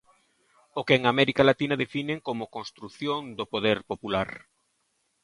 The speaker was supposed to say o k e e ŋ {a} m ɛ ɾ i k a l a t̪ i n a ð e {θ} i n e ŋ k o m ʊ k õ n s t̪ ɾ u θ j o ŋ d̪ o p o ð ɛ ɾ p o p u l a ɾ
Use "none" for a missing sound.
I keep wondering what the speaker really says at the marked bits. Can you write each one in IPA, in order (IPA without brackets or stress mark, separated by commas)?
a, f